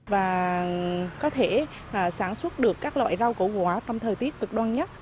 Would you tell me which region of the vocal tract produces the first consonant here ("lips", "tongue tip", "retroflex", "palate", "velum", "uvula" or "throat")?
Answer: lips